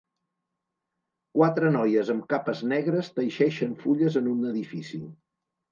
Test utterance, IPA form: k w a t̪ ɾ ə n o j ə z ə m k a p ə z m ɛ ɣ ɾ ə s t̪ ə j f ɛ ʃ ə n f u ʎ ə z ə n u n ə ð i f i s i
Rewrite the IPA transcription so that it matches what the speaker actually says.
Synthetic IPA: k w a t̪ ɾ ə n ɔ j ə z ə m k a p ə z n ɛ ɣ ɾ ə s t̪ ə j ʃ ɛ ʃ ə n f u ʎ ə z ə n u n ə ð i f i s i